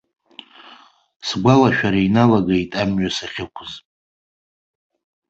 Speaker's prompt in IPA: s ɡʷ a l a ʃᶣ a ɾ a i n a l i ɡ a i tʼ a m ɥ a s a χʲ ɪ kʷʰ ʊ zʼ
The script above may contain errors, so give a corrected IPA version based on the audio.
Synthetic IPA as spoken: s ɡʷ a l a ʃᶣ a ɾ a i n a l a ɡ a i tʼ a m ɥ a s a χʲ ɪ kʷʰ ʊ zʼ